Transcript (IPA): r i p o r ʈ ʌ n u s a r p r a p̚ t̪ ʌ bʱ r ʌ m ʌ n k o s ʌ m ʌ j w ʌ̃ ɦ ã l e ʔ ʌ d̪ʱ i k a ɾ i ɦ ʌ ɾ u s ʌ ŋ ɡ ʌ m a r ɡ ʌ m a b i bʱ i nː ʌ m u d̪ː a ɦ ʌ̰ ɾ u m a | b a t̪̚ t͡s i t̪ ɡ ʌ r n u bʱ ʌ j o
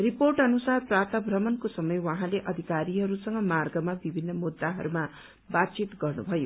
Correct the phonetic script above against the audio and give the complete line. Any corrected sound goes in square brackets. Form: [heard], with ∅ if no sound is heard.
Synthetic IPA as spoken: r i p o r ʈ ʌ n u s a r p r a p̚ t̪ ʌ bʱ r ʌ m ʌ n k o s ʌ m ʌ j w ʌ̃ ɦ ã l e ʔ ʌ d̪ʱ i k a ɾ i ɦ ʌ ɾ u s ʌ ŋ ɡ ʌ m a r ɡ ʌ m a b i bʱ i nː ʌ m u d̪ː a ɦ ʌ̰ ɾ u m a | b a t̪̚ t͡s i t̪ ɡ ʌ r n u bʱ ʌ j o

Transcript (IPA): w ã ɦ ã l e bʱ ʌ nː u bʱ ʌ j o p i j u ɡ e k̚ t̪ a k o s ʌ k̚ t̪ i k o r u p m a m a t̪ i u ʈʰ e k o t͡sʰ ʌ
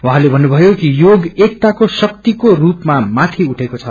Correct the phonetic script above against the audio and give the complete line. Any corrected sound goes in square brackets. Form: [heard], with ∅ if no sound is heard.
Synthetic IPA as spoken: w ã ɦ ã l e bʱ ʌ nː u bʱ ʌ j o [k] i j [o] ɡ e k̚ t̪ a k o s ʌ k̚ t̪ i k o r u p m a m a [t̪ʰ] i u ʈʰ e k o t͡sʰ ʌ

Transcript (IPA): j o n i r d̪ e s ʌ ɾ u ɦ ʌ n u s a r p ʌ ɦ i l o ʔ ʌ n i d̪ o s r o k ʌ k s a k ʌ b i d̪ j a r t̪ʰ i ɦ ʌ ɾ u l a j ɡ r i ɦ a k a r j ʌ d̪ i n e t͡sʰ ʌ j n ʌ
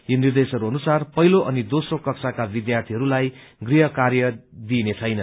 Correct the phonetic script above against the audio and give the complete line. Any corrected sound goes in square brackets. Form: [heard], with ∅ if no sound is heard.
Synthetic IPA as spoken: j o n i r d̪ e s ʌ ɾ u ɦ ʌ n u s a r p ʌ ɦ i l o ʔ ʌ n i d̪ o s r o k ʌ k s a k [a] b i d̪ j a r t̪ʰ i ɦ ʌ ɾ u l a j ɡ r i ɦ [ʌ] k a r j ʌ d̪ i n e t͡sʰ ʌ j n ʌ

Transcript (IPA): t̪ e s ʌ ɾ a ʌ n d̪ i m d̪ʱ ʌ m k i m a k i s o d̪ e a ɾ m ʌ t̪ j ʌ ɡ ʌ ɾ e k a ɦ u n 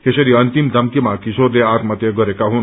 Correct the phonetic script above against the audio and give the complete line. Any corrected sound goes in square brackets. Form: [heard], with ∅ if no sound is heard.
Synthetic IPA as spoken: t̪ e s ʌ ɾ [i] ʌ n [t̪] i m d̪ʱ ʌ m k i m a k i s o d̪ e a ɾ m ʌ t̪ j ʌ ɡ ʌ ɾ e k a ɦ u n

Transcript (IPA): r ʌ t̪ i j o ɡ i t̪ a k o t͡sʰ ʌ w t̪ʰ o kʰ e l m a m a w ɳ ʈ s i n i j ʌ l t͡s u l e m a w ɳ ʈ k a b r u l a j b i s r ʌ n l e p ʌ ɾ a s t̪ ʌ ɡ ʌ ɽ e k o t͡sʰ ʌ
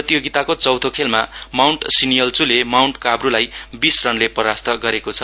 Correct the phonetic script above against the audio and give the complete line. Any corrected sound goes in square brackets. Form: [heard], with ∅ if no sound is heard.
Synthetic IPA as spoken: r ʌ t̪ i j o ɡ i t̪ a k o [t͡s] ʌ w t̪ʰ o kʰ e l m a m a w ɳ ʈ s i n i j ʌ l t͡s u l e m a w ɳ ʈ k a b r u l a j b i s r ʌ n l e p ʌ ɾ a s t̪ ʌ ɡ ʌ [ɾ] e k o t͡sʰ ʌ

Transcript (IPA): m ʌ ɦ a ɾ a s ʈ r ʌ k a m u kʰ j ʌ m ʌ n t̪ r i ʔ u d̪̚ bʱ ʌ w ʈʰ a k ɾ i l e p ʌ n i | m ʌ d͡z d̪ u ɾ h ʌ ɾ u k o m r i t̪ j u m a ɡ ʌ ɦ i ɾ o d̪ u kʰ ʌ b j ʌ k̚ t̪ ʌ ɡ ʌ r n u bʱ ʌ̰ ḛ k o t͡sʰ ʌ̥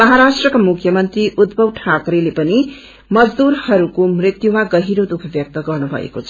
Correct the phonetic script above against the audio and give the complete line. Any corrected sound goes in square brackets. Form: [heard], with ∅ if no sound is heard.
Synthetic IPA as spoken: m ʌ ɦ a ɾ a s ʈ r ʌ k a m u kʰ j ʌ m ʌ n t̪ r i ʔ u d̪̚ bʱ ʌ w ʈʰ a k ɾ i l e p ʌ n i | m ʌ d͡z d̪ u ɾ h ʌ ɾ u k o m r i t̪ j u m a ɡ ʌ ɦ i ɾ o d̪ u kʰ ʌ b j ʌ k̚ t̪ ʌ ɡ ʌ r n u bʱ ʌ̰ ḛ k o t͡sʰ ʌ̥

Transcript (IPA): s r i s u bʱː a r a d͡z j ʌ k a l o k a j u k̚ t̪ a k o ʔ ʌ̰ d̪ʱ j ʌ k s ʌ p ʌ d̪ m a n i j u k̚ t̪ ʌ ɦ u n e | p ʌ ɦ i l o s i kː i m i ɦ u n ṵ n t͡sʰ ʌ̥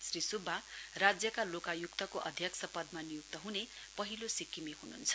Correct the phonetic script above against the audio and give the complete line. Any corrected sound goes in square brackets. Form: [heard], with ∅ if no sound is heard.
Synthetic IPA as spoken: s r i s u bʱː a r a d͡z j ʌ k a l o k a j u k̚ t̪ [ʌ] k o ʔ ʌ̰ d̪ʱ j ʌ k s ʌ p ʌ d̪ m a n i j u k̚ t̪ ʌ ɦ u n e | p ʌ ɦ i l o s i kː i m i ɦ u n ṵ n t͡sʰ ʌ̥

